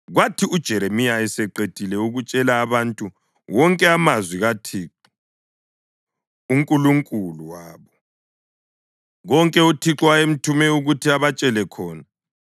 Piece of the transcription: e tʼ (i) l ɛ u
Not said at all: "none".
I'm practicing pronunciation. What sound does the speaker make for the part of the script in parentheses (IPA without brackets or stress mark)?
i